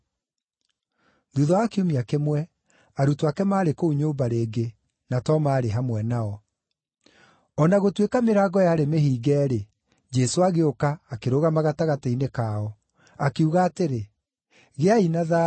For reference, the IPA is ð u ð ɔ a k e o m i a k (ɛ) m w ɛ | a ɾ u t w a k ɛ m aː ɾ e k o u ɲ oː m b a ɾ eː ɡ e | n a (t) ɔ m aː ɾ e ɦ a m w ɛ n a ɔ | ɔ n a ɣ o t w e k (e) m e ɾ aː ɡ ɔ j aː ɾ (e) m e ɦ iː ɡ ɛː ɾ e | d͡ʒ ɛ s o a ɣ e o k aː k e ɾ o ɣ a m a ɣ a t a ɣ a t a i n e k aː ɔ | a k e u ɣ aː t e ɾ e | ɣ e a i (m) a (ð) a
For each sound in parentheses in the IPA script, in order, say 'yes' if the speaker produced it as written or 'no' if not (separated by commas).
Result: no, yes, no, yes, no, yes